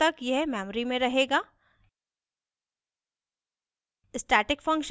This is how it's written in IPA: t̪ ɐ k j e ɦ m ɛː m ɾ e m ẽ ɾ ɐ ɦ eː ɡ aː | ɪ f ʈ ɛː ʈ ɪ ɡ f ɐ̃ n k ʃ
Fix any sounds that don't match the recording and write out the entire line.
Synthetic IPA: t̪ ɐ k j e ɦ m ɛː m ɾ i m ẽ ɾ ɐ ɦ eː ɡ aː | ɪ s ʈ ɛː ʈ ɪ k f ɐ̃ ŋ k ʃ